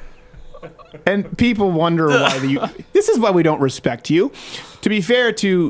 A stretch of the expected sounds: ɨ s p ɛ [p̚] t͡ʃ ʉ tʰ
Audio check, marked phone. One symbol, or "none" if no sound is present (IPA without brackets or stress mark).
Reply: k̚